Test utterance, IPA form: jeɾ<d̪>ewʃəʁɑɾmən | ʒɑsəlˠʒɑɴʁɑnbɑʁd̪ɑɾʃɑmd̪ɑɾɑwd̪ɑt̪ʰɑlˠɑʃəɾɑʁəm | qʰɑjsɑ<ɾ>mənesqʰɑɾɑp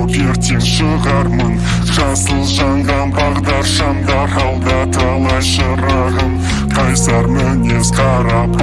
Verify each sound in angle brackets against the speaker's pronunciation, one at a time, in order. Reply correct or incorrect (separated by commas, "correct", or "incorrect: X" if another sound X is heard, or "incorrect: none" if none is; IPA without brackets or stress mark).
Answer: incorrect: t̪, correct